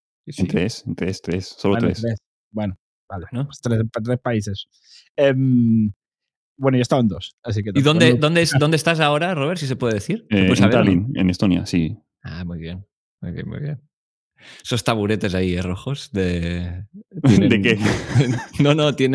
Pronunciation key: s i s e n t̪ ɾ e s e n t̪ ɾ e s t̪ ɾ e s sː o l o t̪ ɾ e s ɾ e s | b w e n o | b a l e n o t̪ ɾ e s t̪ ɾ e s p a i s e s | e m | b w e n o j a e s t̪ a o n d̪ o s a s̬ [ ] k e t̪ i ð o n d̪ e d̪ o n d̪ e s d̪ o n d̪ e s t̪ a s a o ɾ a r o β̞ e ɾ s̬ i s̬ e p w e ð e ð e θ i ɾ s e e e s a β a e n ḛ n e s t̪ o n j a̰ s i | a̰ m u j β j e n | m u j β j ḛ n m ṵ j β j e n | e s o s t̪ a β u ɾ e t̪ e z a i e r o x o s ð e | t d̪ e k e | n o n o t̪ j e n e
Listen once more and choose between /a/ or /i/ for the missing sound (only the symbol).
i